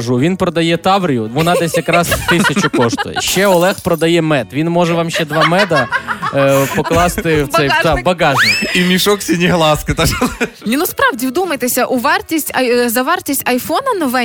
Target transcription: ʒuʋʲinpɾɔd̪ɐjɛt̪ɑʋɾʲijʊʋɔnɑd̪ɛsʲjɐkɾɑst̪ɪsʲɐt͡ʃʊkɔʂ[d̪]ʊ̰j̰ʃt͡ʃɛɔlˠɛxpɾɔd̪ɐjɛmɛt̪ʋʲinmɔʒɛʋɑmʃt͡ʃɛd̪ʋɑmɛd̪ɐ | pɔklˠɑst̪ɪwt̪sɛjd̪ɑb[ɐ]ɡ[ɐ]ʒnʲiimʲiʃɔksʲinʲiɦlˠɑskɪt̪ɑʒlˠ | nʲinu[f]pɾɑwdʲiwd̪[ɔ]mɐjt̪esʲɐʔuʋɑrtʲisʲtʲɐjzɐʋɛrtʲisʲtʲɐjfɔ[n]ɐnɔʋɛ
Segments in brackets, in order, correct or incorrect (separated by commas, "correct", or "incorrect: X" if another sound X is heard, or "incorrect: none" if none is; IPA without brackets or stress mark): incorrect: t̪, correct, incorrect: ɑ, incorrect: s, incorrect: u, correct